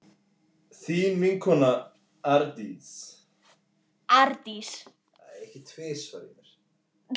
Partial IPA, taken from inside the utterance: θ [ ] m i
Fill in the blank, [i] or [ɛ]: i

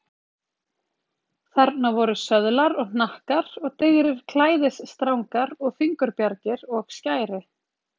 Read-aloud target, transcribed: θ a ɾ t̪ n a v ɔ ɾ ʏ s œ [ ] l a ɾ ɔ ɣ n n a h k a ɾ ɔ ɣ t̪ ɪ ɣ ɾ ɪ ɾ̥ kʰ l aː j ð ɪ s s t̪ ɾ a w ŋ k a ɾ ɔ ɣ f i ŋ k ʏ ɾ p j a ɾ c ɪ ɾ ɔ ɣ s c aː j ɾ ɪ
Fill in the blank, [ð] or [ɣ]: ð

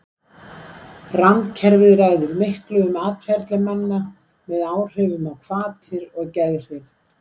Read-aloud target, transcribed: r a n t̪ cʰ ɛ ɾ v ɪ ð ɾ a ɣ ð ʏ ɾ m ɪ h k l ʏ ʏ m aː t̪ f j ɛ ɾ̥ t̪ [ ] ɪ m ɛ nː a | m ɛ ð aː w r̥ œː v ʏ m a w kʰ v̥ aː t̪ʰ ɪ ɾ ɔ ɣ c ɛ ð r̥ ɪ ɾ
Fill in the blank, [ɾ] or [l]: l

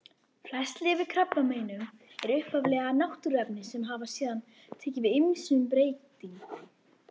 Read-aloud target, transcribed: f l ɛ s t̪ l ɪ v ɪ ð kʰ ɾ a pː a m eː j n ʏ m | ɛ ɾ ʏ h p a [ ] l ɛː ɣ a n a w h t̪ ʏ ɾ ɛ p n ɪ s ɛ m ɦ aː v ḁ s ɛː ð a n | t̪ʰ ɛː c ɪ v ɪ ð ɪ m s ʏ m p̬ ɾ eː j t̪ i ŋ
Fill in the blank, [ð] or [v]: v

